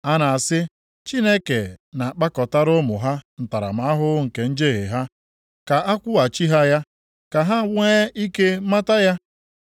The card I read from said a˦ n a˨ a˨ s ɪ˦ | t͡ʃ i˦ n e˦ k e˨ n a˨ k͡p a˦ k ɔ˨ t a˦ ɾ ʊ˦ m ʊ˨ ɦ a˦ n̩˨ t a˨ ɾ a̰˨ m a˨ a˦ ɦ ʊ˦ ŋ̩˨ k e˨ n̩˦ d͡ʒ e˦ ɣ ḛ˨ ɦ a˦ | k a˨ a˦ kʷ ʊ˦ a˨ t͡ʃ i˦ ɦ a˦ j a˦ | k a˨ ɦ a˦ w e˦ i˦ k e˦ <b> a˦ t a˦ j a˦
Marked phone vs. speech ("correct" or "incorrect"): incorrect